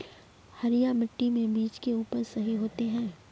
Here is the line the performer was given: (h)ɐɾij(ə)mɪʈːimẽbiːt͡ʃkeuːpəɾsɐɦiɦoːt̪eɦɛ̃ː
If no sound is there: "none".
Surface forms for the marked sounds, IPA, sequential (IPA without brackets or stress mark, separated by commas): h, a